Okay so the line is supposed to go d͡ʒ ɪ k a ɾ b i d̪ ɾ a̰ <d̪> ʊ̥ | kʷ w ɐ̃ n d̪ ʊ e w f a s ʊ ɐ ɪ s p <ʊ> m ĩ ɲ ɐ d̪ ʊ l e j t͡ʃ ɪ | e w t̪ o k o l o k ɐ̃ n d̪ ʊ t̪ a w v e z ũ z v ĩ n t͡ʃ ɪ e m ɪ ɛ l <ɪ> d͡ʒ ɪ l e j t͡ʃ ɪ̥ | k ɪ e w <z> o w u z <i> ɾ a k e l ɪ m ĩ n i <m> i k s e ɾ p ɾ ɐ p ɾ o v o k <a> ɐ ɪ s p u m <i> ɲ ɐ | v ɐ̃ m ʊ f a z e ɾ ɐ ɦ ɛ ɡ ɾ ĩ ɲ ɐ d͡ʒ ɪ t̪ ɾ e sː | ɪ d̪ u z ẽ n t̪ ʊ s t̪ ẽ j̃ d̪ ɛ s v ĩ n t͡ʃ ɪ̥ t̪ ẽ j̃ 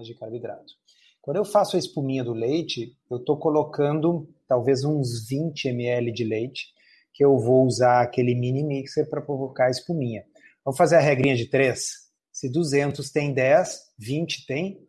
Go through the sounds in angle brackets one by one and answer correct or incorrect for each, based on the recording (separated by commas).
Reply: incorrect, incorrect, correct, incorrect, incorrect, correct, correct, incorrect